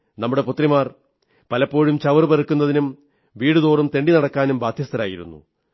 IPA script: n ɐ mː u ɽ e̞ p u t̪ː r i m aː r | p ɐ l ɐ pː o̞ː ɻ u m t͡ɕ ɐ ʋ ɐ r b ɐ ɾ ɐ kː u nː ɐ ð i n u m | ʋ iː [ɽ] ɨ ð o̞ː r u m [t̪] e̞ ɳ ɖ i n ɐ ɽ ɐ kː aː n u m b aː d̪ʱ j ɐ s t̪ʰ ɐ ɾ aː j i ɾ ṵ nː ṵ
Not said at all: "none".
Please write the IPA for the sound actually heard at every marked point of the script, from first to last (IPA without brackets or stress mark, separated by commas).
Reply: ɽ, t̪